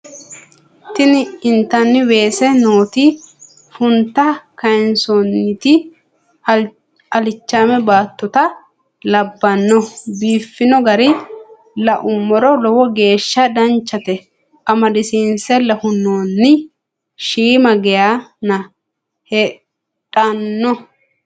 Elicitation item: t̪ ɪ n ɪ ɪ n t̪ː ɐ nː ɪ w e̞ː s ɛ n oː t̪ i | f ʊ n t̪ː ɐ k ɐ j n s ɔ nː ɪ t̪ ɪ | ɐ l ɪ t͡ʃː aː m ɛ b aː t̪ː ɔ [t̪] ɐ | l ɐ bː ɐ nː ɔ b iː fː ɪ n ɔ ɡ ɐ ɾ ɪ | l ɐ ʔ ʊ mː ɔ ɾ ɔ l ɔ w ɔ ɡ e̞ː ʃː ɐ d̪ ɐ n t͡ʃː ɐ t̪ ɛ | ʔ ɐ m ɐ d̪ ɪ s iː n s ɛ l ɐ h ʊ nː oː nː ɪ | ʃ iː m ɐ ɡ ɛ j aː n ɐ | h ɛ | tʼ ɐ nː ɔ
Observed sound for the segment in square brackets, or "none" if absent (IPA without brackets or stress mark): t̪